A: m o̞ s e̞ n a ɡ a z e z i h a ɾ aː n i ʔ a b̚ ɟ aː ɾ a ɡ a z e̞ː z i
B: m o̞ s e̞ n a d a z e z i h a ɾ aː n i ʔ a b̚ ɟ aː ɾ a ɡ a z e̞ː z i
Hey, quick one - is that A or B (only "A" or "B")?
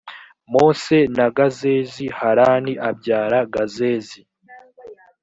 A